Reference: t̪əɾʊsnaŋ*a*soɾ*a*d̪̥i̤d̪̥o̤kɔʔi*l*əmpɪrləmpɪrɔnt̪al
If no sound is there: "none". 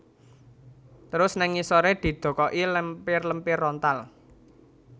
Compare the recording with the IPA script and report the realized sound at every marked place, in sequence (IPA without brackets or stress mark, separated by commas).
i, e, l